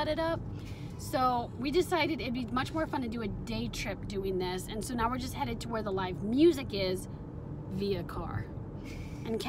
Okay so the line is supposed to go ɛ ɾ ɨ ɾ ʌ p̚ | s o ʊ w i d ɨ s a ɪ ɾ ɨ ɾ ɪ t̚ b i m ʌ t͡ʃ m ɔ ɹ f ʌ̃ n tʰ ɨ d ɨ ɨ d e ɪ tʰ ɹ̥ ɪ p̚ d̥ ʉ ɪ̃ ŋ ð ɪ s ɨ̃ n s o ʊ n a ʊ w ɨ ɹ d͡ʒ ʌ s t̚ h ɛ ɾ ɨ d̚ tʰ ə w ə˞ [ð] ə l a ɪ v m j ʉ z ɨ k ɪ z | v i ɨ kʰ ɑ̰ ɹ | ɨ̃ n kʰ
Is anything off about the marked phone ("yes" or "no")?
no